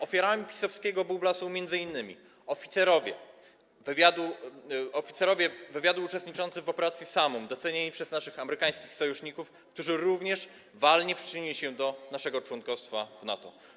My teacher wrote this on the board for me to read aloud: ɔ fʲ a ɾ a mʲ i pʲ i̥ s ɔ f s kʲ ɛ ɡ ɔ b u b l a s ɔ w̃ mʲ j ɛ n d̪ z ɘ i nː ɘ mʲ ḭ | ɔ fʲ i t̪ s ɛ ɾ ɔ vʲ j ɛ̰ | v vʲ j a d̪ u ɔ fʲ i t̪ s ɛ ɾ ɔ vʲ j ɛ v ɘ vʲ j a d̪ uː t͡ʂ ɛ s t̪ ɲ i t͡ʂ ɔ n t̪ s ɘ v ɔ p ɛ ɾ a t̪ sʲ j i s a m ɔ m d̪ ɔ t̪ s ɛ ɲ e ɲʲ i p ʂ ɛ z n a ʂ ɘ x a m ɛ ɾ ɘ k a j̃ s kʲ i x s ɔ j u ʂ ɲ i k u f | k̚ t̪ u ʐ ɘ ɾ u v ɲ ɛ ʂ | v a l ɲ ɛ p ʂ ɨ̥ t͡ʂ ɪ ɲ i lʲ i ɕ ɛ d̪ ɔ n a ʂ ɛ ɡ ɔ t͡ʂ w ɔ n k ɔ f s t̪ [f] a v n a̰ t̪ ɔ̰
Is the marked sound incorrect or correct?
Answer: correct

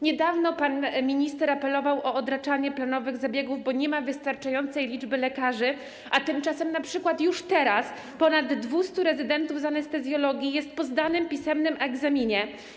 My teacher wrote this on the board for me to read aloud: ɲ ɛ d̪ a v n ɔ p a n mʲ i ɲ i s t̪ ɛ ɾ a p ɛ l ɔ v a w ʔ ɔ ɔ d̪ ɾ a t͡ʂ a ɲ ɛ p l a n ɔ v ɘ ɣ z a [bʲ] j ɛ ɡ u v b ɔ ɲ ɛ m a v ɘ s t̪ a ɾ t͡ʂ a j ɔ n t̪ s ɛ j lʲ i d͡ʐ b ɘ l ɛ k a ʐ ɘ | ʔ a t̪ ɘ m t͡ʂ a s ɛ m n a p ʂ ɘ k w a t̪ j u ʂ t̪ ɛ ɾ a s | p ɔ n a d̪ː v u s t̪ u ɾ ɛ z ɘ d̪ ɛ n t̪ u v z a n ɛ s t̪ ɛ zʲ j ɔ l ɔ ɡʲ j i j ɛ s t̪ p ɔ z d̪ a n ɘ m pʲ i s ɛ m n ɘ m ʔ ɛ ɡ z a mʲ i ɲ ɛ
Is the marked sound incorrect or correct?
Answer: correct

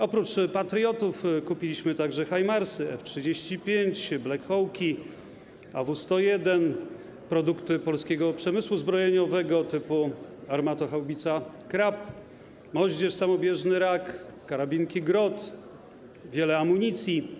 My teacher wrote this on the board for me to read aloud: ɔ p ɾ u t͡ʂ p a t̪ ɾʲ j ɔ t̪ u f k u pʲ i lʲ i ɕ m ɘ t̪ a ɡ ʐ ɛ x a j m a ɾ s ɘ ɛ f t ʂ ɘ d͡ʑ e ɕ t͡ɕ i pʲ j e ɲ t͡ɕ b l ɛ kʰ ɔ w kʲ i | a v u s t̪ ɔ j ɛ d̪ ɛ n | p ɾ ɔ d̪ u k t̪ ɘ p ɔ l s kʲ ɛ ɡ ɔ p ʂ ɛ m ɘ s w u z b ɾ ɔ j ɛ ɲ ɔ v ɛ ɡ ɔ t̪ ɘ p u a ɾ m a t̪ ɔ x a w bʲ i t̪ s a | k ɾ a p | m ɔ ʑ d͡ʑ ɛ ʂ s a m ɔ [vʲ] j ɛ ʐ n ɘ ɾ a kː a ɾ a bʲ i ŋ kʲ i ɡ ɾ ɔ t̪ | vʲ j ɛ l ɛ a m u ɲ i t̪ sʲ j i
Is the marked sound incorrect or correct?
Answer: incorrect: bʲ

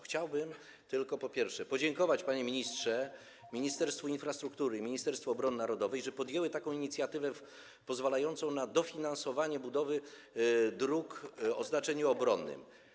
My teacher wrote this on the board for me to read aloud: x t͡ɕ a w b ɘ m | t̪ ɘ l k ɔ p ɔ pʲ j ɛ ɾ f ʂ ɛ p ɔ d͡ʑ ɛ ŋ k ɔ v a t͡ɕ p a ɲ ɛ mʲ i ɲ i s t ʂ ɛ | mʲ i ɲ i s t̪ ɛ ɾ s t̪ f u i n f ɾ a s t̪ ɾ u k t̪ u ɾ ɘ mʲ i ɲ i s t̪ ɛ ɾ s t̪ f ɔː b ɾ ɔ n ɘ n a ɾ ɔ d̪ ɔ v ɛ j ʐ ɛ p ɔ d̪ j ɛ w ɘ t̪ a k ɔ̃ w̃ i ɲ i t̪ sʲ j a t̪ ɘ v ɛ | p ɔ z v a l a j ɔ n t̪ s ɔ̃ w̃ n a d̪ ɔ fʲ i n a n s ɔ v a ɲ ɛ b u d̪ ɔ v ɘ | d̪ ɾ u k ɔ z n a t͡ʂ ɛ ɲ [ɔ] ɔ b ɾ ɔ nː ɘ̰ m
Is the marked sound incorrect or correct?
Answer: incorrect: u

